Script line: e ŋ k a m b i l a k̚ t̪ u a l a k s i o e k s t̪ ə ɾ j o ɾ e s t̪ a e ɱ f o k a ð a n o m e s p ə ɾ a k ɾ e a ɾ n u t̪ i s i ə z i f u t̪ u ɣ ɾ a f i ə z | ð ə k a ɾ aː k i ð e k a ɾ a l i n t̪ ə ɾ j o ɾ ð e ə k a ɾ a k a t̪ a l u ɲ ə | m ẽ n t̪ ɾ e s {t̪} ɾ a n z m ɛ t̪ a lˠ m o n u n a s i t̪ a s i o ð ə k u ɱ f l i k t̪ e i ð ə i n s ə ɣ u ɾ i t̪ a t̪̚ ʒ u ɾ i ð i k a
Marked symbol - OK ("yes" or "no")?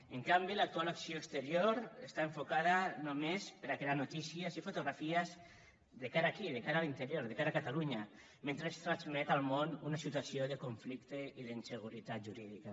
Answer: yes